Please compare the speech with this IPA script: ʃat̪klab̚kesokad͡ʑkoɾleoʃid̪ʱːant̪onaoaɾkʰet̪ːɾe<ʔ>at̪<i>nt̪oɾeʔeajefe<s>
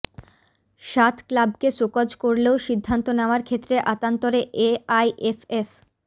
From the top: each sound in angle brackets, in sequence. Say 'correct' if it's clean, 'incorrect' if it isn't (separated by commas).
correct, incorrect, incorrect